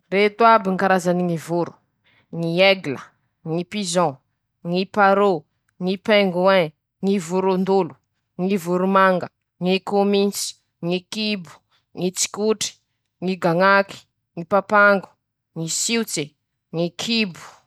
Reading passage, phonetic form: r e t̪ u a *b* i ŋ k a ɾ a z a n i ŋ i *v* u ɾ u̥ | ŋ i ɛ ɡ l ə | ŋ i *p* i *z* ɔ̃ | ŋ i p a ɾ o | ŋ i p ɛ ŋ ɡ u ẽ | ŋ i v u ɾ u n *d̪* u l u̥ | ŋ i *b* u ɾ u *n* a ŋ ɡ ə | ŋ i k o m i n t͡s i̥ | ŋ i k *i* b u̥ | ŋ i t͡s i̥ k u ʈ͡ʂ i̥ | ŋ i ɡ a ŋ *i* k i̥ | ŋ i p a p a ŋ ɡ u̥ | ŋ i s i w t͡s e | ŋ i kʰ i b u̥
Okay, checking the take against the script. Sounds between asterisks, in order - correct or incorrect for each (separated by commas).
correct, correct, correct, correct, correct, incorrect, incorrect, correct, incorrect